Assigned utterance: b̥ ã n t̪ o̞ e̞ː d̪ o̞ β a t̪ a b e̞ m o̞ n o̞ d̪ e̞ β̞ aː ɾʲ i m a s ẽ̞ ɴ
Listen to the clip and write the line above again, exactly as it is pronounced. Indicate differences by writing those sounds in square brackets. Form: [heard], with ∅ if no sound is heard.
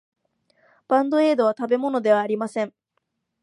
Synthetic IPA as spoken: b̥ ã n [d̪] o̞ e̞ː d̪ o̞ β a t̪ a b e̞ m o̞ n o̞ d̪ e̞ β̞ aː ɾʲ i m a s ẽ̞ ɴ